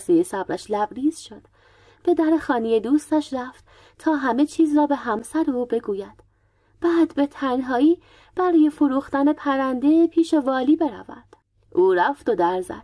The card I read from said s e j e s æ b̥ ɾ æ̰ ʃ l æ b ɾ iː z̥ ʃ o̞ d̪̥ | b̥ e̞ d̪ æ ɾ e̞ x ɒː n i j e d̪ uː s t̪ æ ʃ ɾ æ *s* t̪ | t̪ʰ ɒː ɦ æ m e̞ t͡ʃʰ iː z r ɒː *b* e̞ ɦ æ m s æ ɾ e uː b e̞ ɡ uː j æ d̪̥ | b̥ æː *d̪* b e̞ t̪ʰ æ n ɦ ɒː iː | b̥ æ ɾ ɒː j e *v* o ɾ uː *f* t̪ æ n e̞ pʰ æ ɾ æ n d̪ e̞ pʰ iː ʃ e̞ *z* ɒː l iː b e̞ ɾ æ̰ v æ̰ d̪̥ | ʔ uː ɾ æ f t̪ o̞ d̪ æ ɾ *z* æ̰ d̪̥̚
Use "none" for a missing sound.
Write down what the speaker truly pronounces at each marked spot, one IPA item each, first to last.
f, b, d̪, f, x, v, z

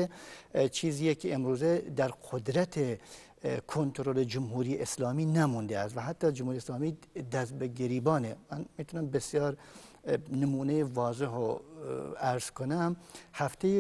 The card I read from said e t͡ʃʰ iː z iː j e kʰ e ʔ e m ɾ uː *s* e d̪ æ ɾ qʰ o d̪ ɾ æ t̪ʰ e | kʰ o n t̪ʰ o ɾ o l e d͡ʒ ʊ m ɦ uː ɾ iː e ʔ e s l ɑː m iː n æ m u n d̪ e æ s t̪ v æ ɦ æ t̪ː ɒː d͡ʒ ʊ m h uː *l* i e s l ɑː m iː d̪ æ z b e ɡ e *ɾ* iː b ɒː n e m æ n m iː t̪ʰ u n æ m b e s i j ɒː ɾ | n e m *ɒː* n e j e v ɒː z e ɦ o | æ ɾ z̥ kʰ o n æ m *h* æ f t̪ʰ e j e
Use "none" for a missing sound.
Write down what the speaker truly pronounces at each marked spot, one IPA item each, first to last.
z, ɾ, ɾ, uː, h

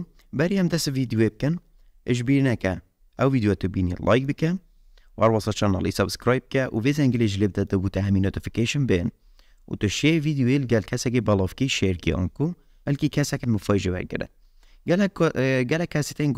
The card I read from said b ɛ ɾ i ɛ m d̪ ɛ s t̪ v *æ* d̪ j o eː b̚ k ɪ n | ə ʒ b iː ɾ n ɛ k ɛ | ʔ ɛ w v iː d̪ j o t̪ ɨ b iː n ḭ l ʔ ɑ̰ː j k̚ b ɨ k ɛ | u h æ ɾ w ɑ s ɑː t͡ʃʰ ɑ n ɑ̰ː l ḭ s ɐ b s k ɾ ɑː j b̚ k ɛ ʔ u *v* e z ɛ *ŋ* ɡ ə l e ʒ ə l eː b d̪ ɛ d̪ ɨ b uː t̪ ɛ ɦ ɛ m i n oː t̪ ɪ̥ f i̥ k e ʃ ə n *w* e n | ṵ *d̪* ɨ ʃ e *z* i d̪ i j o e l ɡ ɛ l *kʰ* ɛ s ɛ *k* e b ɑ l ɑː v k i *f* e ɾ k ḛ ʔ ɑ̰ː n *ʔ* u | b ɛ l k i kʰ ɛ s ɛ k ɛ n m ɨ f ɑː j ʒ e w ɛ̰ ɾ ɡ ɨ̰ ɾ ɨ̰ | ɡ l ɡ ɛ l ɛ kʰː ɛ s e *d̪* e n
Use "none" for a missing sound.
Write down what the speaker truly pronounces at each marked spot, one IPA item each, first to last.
i, v, ŋ, b, t̪, v, kʰ, k, ʃ, k, t̪

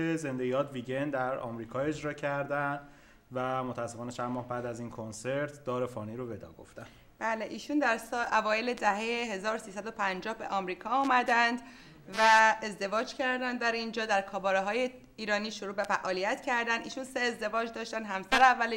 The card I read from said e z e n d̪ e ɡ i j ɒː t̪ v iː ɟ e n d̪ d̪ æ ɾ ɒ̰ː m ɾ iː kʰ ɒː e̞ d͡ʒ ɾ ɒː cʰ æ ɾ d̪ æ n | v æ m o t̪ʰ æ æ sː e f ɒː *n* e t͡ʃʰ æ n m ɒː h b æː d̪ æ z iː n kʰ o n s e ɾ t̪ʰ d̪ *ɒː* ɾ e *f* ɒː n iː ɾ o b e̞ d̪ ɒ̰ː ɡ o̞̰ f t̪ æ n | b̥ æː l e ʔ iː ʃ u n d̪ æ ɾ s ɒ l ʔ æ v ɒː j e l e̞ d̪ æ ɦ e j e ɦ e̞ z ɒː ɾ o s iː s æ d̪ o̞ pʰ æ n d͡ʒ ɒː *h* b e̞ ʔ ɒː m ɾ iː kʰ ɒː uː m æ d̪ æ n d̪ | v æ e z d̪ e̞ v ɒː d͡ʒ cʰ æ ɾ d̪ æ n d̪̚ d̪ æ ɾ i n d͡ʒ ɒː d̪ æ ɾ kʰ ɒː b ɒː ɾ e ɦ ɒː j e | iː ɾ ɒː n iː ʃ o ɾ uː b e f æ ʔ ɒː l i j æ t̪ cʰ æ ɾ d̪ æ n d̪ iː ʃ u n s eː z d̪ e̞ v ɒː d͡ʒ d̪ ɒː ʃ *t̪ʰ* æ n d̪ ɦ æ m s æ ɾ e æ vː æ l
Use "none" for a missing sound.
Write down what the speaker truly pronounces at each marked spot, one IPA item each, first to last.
n, ɒː, f, h, t̪

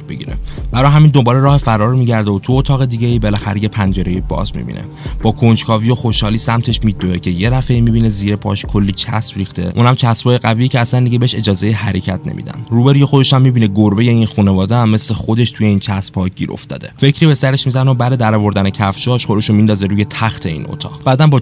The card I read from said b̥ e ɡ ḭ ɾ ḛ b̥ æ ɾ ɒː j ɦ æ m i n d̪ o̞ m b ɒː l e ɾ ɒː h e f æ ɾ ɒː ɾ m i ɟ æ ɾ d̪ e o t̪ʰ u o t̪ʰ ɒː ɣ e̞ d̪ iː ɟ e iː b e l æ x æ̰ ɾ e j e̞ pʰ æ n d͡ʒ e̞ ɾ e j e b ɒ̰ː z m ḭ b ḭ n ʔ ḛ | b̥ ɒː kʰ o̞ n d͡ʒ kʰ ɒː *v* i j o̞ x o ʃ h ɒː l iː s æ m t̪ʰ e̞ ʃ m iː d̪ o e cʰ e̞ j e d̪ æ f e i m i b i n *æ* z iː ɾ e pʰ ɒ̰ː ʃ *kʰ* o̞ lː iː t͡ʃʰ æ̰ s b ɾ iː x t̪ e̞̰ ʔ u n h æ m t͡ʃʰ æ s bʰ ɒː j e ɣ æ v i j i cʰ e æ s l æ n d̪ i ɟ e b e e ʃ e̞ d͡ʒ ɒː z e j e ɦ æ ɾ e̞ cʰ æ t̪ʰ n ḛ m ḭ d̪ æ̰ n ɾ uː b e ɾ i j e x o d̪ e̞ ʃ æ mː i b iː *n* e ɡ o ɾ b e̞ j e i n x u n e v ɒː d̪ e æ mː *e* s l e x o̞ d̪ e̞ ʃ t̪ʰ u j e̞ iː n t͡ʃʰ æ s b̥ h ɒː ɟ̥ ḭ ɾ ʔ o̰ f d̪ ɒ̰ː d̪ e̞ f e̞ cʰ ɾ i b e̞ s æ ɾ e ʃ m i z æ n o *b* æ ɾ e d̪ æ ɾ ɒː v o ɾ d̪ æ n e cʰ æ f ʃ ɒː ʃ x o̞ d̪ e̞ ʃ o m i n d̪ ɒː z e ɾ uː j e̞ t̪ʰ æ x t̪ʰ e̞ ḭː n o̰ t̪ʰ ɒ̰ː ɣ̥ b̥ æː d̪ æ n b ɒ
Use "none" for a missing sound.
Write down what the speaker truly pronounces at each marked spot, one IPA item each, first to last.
v, e, kʰ, n, e, b

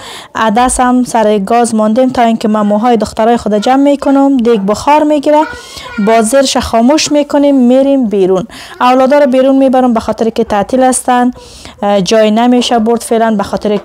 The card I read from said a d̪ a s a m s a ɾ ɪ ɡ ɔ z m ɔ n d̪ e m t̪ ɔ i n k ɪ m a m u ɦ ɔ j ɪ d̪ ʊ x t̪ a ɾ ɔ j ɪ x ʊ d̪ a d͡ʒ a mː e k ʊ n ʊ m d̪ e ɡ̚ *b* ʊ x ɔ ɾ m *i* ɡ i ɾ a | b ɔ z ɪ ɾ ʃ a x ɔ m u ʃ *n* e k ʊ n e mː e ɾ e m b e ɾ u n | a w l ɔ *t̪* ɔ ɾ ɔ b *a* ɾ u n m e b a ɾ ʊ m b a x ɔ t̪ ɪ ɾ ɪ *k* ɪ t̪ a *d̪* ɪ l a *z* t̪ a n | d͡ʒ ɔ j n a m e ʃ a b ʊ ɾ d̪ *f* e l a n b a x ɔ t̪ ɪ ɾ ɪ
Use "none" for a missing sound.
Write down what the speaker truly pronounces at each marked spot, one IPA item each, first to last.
b, e, m, d̪, e, k, t̪, s, f

